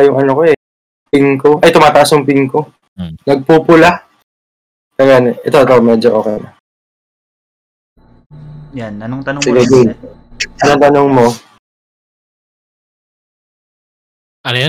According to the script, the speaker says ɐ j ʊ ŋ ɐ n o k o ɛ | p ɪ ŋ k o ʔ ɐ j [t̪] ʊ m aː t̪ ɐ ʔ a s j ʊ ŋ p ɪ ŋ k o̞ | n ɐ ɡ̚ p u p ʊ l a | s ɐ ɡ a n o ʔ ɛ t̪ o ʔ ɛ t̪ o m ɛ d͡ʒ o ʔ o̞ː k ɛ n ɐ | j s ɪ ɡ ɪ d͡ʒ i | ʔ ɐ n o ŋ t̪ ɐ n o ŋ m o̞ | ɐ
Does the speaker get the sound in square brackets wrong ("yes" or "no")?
no